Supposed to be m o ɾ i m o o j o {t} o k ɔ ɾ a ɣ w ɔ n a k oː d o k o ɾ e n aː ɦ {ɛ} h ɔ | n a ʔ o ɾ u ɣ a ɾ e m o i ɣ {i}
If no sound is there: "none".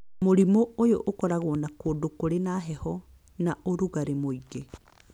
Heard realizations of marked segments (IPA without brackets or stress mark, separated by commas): ʔ, ɛ, e